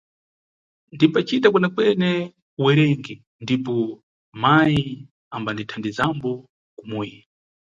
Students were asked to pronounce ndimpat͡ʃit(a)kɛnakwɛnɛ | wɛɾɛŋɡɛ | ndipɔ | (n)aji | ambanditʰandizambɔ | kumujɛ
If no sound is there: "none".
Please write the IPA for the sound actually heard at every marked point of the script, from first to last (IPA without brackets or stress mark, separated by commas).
a, m